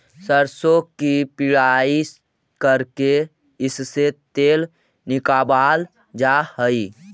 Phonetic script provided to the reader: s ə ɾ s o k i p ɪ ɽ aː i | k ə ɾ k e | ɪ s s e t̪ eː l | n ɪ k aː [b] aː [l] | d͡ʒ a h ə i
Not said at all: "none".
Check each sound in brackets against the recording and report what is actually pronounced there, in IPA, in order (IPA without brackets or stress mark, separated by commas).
b, l